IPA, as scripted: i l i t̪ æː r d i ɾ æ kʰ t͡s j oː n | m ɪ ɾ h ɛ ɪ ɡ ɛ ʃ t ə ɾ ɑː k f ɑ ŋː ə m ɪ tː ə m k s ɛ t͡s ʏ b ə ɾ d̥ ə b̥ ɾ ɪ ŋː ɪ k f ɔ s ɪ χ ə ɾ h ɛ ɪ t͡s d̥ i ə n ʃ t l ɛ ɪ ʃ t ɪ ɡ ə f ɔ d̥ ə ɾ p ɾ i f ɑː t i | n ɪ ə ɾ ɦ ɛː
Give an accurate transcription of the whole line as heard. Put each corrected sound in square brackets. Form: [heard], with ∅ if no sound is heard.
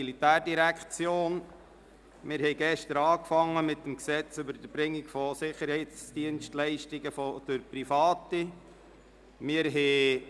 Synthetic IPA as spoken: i l i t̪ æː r d i ɾ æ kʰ t͡s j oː n | m ɪ ɾ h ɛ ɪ ɡ ɛ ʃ t ə ɾ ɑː k f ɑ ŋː ə m ɪ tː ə m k s ɛ t͡s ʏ b ə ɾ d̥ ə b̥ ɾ ɪ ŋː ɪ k f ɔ s ɪ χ ə ɾ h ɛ ɪ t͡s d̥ i ə n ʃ t l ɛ ɪ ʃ t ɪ ɡ ə f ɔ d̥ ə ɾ p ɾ i f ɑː t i | [m] ɪ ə ɾ ɦ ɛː